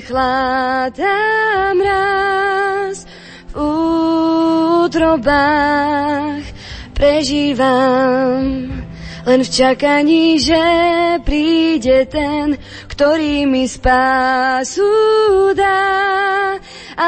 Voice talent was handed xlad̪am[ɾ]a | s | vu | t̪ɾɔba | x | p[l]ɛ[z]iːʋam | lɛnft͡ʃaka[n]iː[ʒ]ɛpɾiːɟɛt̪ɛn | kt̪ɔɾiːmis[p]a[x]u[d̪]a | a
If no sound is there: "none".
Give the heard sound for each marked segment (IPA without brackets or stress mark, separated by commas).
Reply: ɾ, ɾ, ʒ, ɲ, ʒ, p, s, d̪